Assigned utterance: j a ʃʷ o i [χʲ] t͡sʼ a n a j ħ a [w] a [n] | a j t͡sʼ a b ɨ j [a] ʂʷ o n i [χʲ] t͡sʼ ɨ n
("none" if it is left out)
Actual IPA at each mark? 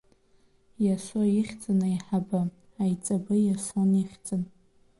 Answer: χʲ, b, none, a, χʲ

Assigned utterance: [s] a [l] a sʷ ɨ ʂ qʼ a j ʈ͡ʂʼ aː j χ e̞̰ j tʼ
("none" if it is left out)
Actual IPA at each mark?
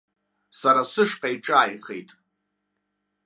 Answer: s, ɾ

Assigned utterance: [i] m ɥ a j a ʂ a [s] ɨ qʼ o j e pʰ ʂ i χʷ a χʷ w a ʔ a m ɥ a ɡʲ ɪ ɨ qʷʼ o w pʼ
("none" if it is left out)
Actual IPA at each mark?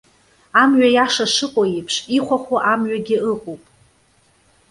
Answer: a, ʂ

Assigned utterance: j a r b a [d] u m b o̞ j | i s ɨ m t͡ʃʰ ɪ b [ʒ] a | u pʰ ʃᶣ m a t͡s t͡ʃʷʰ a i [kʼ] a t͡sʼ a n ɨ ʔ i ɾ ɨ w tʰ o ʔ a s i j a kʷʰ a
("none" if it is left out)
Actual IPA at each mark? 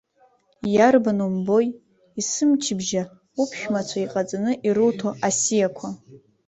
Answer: n, ʒ, qʼ

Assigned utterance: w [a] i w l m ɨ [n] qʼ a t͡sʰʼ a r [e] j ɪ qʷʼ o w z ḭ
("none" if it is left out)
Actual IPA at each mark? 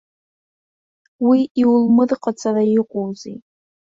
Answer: i, d, a

